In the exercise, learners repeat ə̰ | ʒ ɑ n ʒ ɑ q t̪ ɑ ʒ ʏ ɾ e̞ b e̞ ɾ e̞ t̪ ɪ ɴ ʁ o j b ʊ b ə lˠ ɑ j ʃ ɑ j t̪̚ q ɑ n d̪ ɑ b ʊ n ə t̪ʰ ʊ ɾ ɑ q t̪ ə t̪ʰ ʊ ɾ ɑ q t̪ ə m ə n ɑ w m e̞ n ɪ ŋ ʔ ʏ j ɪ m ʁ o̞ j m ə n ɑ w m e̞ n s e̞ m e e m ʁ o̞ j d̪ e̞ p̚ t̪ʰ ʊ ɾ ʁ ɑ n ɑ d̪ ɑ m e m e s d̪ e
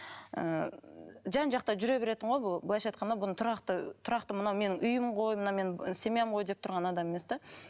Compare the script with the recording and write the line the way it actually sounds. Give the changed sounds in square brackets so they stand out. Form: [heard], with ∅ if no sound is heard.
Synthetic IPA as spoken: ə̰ | ʒ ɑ n ʒ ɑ q t̪ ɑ ʒ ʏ ɾ e̞ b e̞ ɾ e̞ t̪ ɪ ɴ ʁ o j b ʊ b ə lˠ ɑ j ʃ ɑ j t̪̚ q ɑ n d̪ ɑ b ʊ n ə t̪ʰ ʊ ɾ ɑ q t̪ ə t̪ʰ ʊ ɾ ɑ q t̪ ə m ə n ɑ w m e̞ n ɪ ŋ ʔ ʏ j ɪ m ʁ o̞ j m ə n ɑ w m e̞ n s e̞ m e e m ʁ o̞ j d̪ e̞ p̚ t̪ʰ ʊ ɾ ʁ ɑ n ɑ d̪ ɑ m e m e s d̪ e